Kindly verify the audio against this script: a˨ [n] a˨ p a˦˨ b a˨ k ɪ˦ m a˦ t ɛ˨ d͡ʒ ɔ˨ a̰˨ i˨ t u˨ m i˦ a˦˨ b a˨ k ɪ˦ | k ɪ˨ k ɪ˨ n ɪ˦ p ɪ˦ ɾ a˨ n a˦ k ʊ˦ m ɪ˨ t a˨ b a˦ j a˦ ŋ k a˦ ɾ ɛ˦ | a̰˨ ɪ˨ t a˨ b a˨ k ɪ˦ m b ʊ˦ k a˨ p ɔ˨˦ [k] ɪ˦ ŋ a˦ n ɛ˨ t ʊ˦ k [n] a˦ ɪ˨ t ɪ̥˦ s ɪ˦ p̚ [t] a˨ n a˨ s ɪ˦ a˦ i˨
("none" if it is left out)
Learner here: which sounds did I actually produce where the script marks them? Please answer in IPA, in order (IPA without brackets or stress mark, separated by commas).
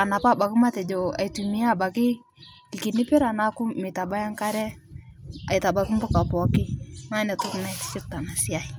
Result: n, k, n, t